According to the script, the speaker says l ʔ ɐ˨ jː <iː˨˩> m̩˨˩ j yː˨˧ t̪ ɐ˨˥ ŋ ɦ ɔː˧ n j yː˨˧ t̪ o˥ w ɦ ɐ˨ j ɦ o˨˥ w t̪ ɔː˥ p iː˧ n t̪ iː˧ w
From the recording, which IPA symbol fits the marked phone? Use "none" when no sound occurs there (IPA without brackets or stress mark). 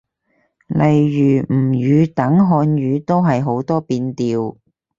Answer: yː˨˩